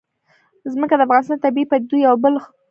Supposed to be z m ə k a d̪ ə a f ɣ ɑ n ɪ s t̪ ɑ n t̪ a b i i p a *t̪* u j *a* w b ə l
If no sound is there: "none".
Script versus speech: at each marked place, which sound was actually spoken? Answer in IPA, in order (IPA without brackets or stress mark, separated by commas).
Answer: d̪, a